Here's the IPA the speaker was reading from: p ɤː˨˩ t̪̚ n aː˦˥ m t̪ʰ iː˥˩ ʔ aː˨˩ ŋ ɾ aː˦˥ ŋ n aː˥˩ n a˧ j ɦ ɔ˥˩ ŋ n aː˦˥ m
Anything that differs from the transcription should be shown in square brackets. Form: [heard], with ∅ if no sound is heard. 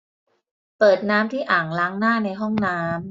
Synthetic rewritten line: p ɤː˨˩ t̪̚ n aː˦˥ m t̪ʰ iː˥˩ ʔ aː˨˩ ŋ [l] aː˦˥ ŋ n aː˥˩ n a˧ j ɦ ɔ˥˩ ŋ n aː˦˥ m